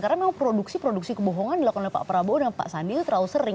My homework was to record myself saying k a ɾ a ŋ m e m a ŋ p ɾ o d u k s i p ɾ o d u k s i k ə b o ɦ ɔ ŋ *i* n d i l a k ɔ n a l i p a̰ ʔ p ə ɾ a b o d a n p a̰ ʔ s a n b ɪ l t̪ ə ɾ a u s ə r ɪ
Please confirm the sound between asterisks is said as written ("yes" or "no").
no